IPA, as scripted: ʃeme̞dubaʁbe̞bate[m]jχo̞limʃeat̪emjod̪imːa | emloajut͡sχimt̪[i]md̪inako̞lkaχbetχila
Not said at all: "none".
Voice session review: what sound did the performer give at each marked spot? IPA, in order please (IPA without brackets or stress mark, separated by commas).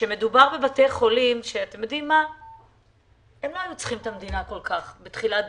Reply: none, a